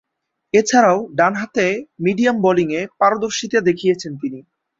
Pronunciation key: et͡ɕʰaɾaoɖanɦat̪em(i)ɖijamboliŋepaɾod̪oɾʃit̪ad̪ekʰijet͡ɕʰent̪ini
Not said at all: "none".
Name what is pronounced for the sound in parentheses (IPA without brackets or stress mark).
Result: i